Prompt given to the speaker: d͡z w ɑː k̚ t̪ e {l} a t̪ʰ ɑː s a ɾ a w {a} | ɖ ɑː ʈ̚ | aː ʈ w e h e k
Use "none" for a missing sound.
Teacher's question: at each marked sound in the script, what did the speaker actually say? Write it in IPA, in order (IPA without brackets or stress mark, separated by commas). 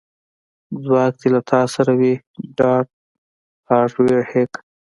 l, i